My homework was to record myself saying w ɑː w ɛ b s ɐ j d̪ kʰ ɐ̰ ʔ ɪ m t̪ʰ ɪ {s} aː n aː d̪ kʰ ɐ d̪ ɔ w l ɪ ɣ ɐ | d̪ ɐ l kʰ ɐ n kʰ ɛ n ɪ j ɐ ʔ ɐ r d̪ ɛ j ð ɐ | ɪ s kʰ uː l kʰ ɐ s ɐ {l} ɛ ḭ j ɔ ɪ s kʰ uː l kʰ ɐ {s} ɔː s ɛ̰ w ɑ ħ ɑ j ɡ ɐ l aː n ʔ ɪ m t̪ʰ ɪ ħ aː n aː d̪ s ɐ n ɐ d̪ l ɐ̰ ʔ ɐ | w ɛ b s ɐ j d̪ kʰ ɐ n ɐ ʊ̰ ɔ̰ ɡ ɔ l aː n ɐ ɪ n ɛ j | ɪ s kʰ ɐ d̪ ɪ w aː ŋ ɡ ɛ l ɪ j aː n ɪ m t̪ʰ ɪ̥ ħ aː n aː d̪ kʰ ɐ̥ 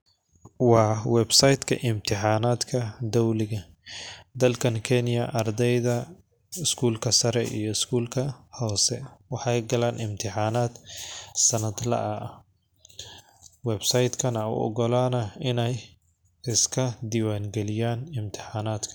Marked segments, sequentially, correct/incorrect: incorrect, incorrect, incorrect

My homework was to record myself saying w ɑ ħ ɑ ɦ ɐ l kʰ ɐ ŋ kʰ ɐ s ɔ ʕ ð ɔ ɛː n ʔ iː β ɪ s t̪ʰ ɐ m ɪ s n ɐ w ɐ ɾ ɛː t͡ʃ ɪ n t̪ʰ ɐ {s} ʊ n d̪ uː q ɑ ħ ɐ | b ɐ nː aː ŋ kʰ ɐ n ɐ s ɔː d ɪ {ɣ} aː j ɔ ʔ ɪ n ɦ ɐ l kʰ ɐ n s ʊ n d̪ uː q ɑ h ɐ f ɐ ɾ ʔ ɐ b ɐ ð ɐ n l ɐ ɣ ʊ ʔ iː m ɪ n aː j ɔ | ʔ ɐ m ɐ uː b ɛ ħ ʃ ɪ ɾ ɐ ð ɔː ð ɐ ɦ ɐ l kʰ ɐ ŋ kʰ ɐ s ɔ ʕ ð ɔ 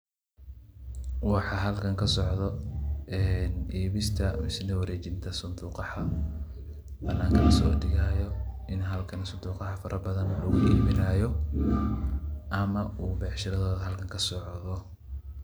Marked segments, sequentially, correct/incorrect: correct, correct

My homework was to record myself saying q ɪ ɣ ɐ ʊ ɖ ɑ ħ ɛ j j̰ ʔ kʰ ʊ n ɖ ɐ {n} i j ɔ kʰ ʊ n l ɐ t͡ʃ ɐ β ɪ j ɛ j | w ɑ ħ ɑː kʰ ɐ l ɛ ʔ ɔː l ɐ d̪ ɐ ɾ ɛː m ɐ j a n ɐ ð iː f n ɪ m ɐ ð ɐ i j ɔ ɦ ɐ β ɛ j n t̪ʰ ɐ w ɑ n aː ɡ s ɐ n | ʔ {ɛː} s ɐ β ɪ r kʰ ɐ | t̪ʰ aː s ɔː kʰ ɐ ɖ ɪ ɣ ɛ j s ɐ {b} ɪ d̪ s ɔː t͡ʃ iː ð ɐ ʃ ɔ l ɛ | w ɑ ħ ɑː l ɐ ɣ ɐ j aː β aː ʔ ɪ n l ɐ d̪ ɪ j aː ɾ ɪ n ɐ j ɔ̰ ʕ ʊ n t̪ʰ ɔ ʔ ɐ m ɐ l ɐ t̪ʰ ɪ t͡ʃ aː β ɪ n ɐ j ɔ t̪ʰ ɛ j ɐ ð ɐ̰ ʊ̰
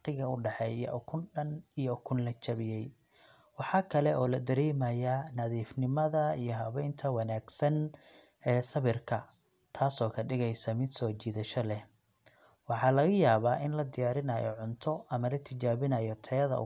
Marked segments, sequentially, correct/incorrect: correct, correct, incorrect

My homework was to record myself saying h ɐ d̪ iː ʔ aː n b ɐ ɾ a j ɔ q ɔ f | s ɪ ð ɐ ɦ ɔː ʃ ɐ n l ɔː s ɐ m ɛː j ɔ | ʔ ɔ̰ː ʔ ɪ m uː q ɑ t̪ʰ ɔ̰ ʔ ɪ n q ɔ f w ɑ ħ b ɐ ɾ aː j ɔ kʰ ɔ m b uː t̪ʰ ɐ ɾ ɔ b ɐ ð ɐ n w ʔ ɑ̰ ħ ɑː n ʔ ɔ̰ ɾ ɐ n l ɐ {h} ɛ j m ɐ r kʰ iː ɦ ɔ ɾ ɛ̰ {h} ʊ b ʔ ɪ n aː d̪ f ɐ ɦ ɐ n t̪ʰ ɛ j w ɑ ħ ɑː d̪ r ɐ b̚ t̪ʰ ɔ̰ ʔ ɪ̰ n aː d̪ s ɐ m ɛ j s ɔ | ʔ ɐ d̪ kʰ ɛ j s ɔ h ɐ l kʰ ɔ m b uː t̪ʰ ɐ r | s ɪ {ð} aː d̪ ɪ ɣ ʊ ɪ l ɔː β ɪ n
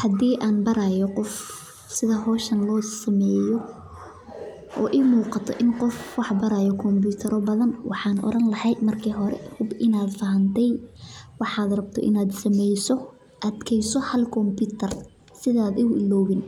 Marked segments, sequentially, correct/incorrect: correct, correct, correct

